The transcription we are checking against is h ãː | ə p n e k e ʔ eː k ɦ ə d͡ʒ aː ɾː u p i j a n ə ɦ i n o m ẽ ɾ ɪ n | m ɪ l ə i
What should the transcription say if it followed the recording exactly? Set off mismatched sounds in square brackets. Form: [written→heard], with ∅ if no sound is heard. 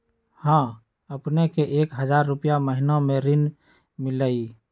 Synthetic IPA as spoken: h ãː | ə p n e k e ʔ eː k ɦ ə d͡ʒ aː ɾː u p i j a [n→m] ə ɦ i n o m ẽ ɾ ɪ n | m ɪ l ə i